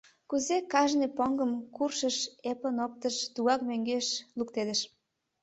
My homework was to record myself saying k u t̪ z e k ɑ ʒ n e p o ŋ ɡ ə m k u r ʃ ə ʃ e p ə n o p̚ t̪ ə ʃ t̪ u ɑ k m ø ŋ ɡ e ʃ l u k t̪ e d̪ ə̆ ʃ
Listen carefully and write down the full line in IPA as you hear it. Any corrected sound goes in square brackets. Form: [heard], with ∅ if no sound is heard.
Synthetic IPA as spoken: k u [∅] z e k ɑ ʒ n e p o ŋ ɡ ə m k u r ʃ ə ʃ e p ə n o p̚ t̪ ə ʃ t̪ u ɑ k m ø ŋ ɡ e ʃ l u k t̪ e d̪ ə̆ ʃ